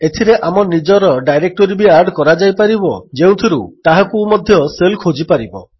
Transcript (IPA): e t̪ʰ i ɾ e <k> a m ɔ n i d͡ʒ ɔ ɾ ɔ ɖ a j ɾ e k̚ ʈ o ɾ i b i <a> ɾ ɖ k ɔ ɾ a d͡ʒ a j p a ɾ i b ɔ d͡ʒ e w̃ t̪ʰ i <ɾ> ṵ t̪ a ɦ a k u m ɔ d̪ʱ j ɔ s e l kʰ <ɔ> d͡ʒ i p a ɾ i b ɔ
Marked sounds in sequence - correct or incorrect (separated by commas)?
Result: incorrect, correct, correct, incorrect